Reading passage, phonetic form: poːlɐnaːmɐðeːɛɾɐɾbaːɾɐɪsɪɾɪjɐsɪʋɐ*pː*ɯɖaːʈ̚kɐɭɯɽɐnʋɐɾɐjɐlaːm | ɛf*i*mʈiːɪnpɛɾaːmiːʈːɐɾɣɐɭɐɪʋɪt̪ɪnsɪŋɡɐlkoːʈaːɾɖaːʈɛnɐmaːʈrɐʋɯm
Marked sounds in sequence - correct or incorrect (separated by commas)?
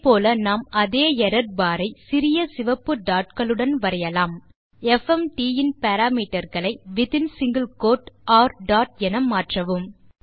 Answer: correct, incorrect